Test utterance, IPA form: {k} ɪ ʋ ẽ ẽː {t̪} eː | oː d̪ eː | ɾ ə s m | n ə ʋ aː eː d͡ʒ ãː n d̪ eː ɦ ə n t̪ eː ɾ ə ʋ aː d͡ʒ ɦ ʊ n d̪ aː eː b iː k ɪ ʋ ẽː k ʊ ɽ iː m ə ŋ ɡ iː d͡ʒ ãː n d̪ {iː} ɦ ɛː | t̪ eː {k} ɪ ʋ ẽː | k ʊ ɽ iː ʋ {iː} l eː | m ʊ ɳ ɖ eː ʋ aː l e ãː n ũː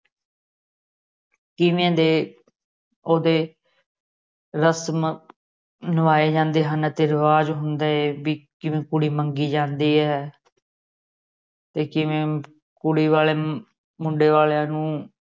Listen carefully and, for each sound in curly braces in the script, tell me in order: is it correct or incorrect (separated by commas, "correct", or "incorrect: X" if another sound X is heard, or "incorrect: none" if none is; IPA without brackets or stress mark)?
correct, incorrect: d̪, correct, correct, incorrect: aː